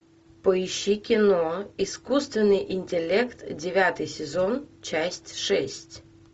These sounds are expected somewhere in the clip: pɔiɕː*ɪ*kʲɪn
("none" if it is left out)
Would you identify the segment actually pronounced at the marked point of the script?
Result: i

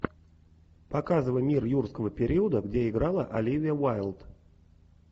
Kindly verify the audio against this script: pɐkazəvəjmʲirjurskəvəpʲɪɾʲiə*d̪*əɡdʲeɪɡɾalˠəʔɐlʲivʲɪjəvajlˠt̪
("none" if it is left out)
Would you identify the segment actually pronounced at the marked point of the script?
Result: d̪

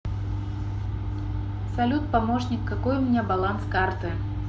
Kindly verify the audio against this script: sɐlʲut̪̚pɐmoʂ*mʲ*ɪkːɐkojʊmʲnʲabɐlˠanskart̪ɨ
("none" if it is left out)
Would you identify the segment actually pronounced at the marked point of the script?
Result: nʲ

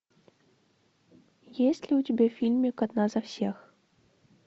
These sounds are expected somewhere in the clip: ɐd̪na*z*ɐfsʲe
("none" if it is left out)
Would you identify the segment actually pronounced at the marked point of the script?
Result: z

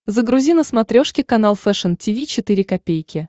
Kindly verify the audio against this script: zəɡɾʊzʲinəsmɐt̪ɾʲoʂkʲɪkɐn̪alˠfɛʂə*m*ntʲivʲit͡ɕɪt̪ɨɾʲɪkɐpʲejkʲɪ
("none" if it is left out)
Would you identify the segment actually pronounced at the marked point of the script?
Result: none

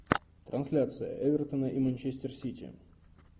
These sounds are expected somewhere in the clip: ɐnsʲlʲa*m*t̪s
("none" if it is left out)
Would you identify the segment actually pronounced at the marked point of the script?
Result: none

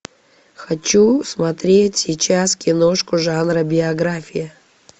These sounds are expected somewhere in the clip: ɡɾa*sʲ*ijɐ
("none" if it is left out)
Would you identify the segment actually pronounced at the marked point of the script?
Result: fʲ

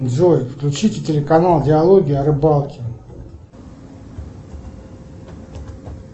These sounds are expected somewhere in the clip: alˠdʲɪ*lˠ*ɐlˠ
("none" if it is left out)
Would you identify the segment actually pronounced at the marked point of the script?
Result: none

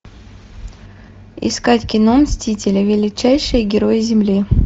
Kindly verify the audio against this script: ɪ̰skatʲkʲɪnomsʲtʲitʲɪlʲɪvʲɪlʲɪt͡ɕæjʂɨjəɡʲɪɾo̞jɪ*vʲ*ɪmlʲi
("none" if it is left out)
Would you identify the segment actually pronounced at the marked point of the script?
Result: zʲ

